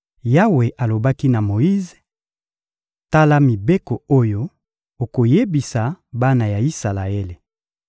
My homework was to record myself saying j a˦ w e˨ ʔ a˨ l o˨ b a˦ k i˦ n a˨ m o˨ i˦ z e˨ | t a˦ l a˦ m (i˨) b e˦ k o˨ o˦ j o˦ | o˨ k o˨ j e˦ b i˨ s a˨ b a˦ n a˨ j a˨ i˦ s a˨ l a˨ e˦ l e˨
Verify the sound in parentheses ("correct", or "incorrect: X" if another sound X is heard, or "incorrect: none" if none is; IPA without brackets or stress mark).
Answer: correct